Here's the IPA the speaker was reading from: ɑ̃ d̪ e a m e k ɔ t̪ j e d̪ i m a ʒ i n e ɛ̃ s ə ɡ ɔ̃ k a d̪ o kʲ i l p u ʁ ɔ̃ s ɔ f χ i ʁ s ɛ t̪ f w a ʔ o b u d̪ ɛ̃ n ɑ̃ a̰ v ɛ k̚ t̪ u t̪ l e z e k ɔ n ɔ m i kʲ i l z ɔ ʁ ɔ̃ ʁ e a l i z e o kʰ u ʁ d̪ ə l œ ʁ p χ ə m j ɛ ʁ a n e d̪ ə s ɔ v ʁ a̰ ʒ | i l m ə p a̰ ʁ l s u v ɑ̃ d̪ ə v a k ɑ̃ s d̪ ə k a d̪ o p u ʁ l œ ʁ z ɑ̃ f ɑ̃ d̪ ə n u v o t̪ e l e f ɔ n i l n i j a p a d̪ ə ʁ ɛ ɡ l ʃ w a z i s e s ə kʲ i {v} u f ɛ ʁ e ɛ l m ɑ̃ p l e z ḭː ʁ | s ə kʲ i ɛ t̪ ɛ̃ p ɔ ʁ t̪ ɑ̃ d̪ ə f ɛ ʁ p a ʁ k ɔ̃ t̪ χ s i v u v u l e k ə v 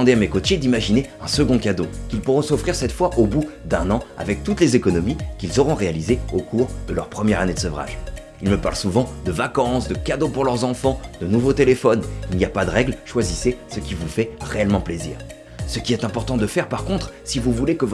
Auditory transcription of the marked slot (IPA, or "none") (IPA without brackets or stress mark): v